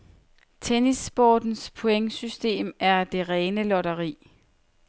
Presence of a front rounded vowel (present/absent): present